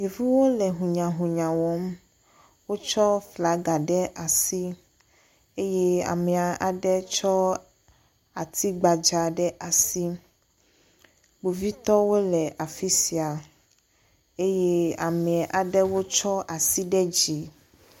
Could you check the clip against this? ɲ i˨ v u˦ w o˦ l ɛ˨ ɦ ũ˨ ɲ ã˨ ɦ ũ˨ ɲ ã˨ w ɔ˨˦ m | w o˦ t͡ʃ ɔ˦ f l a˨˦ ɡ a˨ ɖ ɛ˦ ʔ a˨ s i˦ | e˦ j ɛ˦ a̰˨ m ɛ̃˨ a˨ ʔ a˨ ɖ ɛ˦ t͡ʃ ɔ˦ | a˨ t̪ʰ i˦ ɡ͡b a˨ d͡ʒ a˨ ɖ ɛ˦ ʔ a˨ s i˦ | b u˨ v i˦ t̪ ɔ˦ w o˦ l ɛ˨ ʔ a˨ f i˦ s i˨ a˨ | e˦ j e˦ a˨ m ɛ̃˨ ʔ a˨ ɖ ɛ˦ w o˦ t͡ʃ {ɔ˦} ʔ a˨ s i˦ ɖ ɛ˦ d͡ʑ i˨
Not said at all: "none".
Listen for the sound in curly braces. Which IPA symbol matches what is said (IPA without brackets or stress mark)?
ɔ˦